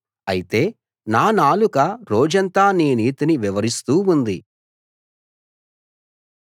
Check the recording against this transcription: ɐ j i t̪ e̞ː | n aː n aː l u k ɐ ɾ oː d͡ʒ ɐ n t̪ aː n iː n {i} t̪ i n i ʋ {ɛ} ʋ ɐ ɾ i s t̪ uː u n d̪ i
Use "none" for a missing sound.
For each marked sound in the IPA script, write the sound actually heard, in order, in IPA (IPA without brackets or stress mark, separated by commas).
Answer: iː, i